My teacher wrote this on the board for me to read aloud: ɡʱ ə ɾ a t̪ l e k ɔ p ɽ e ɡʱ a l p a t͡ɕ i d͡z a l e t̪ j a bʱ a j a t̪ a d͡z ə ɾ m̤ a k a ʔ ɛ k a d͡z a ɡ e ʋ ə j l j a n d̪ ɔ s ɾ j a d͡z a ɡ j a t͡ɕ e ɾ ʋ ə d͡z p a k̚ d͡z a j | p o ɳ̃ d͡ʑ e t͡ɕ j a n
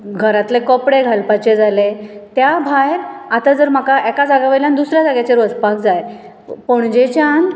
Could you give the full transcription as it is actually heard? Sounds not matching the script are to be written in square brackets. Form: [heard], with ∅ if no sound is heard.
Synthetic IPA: ɡʱ ə ɾ a t̪ l e k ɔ p ɽ e ɡʱ a l p a t͡ɕ [e] d͡z a l e t̪ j a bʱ a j a t̪ a d͡z ə ɾ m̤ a k a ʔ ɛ k a d͡z a ɡ [a] ʋ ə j l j a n d̪ [u] s ɾ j a d͡z a ɡ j a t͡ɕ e ɾ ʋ ə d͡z p a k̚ d͡z a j | p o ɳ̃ d͡ʑ e t͡ɕ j a n